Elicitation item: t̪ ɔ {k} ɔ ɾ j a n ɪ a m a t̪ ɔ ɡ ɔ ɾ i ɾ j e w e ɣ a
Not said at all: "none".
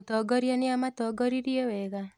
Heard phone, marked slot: ɡ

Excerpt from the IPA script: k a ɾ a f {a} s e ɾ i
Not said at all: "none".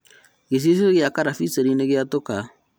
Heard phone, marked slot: i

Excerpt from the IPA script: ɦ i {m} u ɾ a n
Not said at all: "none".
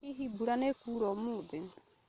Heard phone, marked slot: b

